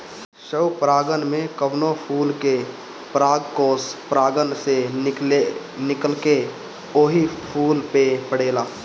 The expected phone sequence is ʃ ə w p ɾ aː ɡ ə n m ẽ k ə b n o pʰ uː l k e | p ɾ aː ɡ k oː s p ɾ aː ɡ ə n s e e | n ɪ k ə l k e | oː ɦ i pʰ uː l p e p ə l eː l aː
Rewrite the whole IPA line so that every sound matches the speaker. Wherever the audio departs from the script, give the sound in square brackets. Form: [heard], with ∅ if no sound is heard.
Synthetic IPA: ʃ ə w p ɾ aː ɡ ə n m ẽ k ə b n o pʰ uː l k e | p ɾ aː ɡ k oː s p ɾ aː ɡ ə n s e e | n ɪ k ə l k e | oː ɦ i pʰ uː l p e p ə [ɽ] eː l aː